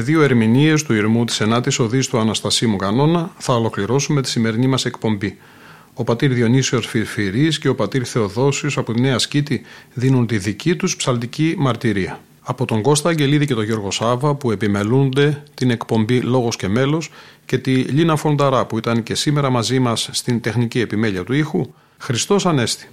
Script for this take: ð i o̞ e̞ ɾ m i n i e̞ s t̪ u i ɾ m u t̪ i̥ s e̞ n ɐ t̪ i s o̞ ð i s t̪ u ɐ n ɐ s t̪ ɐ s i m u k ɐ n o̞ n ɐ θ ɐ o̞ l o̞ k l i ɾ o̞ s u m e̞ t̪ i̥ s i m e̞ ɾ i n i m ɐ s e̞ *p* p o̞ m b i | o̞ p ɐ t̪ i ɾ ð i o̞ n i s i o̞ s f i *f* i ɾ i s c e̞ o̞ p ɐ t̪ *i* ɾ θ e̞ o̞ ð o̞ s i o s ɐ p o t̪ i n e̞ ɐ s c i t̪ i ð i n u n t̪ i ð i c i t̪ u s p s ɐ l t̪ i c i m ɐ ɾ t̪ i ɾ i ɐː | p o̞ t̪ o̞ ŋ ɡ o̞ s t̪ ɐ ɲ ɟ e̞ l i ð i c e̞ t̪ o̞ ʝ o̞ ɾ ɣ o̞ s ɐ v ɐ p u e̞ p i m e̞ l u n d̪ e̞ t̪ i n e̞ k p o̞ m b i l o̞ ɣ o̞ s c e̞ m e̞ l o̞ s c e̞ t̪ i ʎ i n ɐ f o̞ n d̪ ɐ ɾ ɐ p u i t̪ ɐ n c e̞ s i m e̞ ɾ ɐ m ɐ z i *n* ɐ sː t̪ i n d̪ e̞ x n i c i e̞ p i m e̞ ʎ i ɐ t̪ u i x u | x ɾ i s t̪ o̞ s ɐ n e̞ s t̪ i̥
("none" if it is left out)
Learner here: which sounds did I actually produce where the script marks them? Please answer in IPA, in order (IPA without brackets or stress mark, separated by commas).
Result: k, f, i, m